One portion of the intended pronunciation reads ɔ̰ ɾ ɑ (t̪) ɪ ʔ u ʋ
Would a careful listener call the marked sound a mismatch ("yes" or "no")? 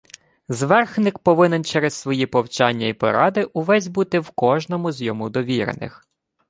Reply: yes